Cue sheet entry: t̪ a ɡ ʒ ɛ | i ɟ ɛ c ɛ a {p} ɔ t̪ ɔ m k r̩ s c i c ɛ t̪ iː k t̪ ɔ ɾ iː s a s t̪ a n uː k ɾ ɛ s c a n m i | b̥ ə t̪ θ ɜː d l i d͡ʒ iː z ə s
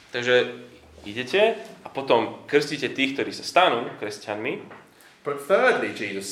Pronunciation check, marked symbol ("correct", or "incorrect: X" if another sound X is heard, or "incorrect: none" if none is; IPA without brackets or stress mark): correct